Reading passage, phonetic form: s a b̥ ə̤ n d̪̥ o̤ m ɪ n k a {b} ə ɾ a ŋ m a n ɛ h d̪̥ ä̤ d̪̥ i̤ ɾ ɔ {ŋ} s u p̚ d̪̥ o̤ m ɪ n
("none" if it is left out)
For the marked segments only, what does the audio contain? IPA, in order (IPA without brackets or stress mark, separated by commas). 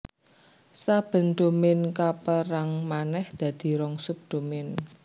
p, ŋ